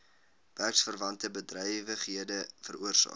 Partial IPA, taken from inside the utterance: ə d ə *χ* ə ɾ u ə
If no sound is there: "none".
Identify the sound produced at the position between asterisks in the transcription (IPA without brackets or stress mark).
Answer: f